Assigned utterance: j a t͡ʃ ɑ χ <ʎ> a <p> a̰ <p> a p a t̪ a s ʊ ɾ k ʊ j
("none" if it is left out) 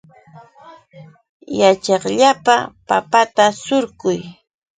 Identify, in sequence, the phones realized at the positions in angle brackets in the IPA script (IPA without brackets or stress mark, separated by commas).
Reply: ʎ, p, p